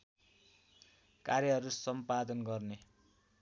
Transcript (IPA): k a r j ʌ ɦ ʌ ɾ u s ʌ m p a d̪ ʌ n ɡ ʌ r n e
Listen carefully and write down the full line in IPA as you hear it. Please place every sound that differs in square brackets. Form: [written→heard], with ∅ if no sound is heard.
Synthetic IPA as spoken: k a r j ʌ ɦ ʌ ɾ u s ʌ m p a d̪ ʌ n ɡ ʌ r n e